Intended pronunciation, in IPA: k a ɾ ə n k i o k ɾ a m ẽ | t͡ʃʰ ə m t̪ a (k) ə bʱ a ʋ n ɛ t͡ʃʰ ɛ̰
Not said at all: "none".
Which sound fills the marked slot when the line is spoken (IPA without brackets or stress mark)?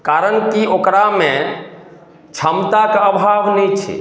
k